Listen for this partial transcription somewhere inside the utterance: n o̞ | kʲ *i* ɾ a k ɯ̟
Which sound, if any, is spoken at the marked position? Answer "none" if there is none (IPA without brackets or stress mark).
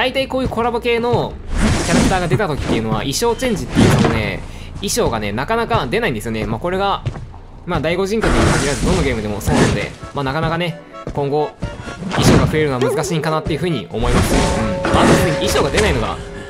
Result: a